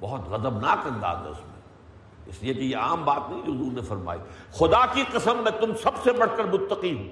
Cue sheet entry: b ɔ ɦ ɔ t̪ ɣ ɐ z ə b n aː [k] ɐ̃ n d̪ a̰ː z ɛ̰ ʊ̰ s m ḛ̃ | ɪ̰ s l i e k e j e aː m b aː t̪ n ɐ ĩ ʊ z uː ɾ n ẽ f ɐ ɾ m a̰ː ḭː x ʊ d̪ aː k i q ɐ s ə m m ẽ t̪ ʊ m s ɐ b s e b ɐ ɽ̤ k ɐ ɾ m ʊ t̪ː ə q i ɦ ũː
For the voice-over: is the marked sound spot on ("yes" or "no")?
yes